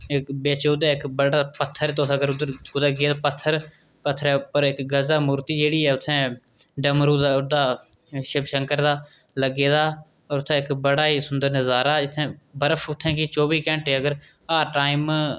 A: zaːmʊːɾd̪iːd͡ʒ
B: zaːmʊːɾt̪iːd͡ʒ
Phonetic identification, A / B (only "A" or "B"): B